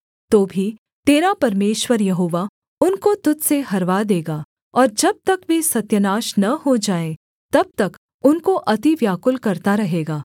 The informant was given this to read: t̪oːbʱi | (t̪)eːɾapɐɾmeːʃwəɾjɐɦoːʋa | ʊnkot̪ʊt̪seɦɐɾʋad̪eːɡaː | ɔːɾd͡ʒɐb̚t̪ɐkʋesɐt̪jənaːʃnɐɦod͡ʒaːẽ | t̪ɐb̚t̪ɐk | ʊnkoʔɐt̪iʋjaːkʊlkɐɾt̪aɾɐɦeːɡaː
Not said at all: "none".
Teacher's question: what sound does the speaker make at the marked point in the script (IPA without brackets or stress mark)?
t̪